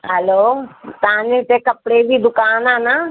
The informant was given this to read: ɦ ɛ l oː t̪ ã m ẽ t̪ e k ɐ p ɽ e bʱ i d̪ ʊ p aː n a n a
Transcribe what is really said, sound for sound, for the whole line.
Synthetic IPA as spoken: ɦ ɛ l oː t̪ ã n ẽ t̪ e k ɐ p ɽ e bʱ i d̪ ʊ k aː n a n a